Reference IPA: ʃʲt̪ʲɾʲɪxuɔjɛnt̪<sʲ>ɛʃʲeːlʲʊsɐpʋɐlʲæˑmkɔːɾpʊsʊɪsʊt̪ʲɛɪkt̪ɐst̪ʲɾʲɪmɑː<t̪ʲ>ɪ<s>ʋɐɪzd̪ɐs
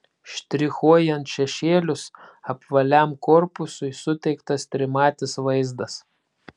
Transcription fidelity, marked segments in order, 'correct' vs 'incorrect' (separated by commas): incorrect, correct, correct